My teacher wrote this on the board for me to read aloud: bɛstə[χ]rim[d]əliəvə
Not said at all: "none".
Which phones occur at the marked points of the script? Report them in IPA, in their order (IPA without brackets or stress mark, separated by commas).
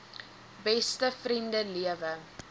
f, d